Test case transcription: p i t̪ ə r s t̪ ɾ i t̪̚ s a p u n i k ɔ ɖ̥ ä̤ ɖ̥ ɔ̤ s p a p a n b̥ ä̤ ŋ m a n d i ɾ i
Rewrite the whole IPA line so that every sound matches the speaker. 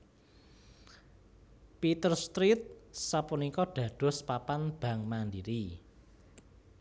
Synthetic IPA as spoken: p i t̪ ə r s t̪ ɾ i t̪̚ s a p u n i k ɔ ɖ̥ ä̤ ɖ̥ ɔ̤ s p a p a n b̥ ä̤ ŋ m a n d i ɾ i